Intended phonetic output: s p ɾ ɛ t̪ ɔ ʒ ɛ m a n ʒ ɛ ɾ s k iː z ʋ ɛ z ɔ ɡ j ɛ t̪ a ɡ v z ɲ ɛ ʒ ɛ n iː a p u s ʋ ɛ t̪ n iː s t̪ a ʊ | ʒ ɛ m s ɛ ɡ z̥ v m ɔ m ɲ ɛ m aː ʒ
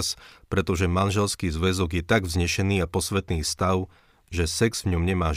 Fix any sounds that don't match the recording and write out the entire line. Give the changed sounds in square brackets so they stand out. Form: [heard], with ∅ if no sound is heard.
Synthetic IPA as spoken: s p ɾ ɛ t̪ ɔ ʒ ɛ m a n ʒ ɛ [l] s k iː z ʋ ɛ z ɔ ɡ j ɛ t̪ a ɡ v z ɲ ɛ [ʃ] ɛ n iː a p [ɔ] s ʋ ɛ t̪ n iː s t̪ a ʊ | ʒ ɛ [∅] s ɛ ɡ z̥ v [ɲ] ɔ m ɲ ɛ m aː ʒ